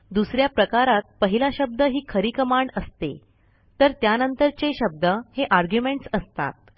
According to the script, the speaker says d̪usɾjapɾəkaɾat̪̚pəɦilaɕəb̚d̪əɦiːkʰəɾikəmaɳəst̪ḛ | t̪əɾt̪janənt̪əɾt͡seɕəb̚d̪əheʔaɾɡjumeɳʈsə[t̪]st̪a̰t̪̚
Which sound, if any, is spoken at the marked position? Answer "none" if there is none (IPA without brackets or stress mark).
none